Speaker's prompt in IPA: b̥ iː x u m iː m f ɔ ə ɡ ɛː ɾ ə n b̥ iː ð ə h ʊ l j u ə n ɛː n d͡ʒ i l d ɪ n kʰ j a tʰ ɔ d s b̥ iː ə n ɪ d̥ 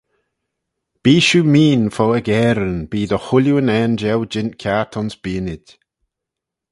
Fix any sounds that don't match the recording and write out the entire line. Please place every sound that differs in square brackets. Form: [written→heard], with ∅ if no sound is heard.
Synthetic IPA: b̥ iː [x→ʃ] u m iː [m→n] f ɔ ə ɡ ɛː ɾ ə n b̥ iː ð ə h ʊ l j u ə n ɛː n d͡ʒ [i→ɛ] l [d→d͡ʒ] ɪ n kʰ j a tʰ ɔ [d→n] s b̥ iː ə n ɪ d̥